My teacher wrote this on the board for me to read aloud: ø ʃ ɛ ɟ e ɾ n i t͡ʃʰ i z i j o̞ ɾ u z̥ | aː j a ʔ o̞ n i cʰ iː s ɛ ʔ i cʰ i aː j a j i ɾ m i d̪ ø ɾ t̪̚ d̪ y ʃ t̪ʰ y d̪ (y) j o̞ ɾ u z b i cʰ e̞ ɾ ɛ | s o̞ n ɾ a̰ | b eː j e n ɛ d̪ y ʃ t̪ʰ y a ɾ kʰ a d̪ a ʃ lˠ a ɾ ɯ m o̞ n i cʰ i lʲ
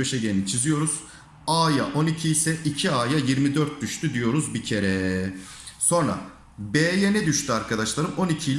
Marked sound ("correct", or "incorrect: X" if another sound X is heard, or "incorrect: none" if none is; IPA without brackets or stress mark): incorrect: i